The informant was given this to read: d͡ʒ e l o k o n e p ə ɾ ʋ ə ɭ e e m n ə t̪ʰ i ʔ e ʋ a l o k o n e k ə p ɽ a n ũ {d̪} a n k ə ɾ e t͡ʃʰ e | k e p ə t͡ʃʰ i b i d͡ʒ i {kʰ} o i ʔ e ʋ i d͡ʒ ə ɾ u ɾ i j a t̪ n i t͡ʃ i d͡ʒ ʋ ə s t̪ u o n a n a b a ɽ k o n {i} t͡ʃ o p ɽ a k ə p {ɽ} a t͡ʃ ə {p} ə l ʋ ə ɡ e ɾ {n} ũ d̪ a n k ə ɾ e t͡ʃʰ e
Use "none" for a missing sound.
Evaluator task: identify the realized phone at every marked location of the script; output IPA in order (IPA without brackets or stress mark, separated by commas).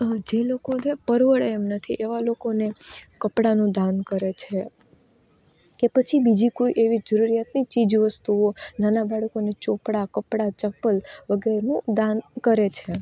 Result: d̪, k, e, ɽ, p, n